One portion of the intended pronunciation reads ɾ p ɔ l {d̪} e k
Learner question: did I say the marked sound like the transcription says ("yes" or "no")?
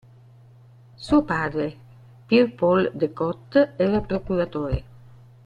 yes